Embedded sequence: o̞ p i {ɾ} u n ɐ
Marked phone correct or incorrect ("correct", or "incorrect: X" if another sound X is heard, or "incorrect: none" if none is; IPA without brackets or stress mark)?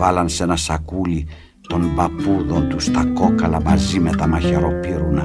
correct